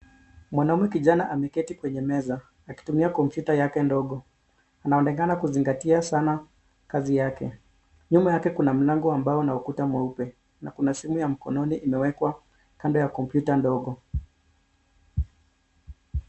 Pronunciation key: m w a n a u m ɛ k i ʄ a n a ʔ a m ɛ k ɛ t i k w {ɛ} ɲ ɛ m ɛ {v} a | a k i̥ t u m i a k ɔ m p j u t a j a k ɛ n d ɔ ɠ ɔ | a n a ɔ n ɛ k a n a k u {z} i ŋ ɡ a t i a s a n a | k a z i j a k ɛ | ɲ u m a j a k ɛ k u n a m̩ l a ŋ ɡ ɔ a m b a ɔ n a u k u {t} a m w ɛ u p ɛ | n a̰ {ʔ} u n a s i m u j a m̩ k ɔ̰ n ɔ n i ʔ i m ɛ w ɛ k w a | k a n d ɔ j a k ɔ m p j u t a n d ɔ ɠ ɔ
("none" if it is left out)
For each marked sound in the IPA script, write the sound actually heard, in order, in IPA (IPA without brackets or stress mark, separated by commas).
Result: ɛ, z, z, t, k